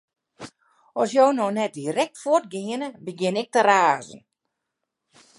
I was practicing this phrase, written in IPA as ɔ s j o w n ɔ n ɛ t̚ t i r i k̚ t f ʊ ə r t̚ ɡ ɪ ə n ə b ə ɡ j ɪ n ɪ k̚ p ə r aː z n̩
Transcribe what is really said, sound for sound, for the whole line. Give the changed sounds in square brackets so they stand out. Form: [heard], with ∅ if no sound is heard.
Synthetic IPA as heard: ɔ s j o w n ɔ n ɛ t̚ [d] i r [ɛ] k̚ t f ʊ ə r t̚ ɡ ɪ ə n ə b ə ɡ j ɪ n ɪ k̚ [t] ə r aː z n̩

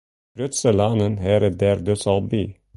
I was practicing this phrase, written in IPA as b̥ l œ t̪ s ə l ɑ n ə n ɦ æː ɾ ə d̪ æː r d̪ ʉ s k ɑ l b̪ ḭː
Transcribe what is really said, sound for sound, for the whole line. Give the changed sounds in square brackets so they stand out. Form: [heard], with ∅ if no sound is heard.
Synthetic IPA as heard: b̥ [ɾ] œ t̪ s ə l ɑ n ə n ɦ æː ɾ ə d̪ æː [ɾ] d̪ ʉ s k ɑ l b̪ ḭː

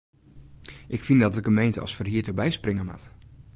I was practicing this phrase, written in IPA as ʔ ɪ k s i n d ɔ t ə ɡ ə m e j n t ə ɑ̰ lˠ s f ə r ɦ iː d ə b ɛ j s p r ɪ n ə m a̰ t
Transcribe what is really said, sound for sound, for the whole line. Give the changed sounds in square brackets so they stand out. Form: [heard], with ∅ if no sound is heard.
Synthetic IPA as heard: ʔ ɪ k [f] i n d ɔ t ə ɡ ə m e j n t ə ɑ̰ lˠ s f ə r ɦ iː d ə b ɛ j s p r ɪ [ŋ] ə m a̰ t

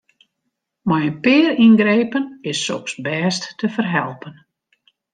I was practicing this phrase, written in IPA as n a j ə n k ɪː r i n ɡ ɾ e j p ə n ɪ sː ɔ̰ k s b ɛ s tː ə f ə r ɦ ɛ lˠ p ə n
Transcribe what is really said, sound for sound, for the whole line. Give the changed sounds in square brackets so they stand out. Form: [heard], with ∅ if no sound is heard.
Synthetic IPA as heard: [m] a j ə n [p] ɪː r i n ɡ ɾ e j p ə n ɪ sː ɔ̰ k s b [ɛː] s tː ə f ə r ɦ ɛ lˠ p ə n

